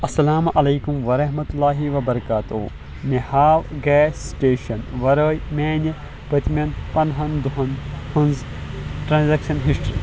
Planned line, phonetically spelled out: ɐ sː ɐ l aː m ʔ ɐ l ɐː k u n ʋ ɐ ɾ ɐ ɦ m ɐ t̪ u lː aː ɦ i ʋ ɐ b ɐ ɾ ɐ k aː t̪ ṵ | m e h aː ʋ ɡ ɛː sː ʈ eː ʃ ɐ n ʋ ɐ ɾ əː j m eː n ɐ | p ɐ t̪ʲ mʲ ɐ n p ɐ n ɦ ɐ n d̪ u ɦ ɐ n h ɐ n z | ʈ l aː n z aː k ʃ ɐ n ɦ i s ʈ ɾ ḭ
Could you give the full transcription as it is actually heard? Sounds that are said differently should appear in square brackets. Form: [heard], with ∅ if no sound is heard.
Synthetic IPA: ɐ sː ɐ l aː m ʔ ɐ l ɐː k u [m] ʋ ɐ ɾ ɐ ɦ m ɐ t̪ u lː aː ɦ i ʋ ɐ b ɐ ɾ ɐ k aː t̪ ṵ | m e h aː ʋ ɡ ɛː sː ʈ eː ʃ ɐ n ʋ ɐ ɾ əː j m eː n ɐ | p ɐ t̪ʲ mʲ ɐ n p ɐ n ɦ ɐ n d̪ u ɦ ɐ n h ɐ n z | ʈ [ɾ] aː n z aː k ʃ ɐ n ɦ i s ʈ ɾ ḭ